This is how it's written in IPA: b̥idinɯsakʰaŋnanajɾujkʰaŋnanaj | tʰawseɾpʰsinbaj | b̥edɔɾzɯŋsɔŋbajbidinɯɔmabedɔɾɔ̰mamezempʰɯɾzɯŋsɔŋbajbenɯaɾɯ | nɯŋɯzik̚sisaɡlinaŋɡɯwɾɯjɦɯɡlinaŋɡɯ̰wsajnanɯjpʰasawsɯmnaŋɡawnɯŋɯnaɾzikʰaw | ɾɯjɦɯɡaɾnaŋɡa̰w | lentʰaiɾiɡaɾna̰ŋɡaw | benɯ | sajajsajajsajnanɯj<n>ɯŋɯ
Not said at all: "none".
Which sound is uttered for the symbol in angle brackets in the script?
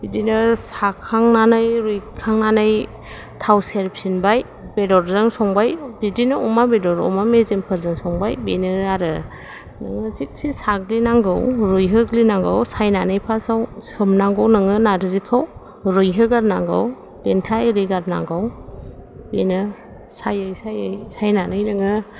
n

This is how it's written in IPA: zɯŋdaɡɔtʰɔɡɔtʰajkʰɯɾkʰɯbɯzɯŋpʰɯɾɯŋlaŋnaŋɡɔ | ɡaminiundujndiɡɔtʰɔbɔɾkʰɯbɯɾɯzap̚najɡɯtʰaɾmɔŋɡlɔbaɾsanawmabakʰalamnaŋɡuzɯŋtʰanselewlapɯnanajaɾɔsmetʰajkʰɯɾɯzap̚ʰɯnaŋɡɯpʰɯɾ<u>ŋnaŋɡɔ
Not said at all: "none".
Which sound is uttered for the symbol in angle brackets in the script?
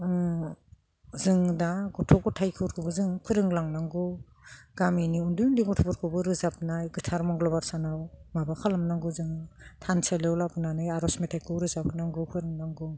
ɯ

